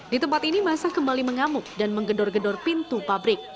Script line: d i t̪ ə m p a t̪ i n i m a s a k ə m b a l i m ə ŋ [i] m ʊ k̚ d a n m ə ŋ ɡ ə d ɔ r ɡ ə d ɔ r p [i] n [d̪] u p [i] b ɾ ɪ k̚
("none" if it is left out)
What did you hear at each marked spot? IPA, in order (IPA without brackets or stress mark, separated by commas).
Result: a, i, t̪, a